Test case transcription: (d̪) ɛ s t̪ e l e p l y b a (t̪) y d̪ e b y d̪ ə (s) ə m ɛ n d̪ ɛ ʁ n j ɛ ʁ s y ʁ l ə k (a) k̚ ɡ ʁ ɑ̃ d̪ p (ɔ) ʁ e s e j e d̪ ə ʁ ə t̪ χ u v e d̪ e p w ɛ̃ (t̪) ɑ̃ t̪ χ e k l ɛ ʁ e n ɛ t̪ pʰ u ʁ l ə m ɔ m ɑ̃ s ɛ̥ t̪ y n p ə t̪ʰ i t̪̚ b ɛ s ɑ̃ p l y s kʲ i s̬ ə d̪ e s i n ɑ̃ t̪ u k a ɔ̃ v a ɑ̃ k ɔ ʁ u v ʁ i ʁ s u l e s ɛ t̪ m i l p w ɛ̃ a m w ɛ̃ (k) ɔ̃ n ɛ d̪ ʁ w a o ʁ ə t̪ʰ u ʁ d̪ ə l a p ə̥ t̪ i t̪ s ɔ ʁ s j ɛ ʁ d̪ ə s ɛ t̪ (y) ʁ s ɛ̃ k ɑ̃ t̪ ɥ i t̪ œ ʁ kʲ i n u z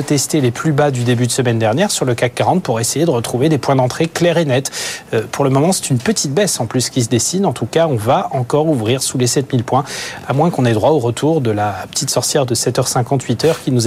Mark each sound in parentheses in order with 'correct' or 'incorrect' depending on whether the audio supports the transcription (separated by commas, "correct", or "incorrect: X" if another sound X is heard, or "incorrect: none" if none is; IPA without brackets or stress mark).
incorrect: t̪, incorrect: d̪, correct, correct, incorrect: u, incorrect: d̪, correct, incorrect: œ